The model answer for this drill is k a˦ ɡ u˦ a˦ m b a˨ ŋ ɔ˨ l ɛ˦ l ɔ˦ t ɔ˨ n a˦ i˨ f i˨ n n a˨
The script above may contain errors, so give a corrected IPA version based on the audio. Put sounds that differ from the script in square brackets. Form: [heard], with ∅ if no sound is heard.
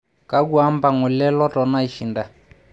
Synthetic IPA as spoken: k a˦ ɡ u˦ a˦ m b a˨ ŋ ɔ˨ l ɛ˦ l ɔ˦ t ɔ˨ n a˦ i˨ [ʃ] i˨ n [d] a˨